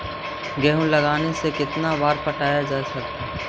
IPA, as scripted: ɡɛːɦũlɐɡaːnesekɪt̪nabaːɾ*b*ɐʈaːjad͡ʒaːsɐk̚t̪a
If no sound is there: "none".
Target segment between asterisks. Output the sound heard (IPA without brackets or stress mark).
p